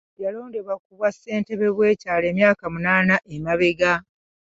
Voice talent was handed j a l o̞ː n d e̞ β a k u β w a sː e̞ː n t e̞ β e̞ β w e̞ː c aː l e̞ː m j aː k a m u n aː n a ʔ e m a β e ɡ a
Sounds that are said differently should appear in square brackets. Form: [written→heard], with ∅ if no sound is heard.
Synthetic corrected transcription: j a l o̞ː n d e̞ β a k u β w a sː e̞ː n t e̞ β e̞ β w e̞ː c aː l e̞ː m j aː k a m u n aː n a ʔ e m a β e ɡ a